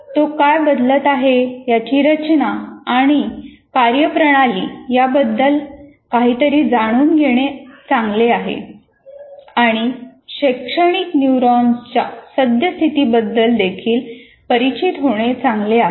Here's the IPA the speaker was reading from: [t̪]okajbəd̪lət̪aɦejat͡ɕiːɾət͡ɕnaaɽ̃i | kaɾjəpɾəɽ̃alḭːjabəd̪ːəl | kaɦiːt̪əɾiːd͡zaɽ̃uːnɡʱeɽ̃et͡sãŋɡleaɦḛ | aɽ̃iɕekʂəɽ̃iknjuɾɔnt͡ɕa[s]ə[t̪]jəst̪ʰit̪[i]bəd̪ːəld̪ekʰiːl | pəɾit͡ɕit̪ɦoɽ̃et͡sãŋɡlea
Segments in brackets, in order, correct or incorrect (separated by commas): correct, correct, incorrect, incorrect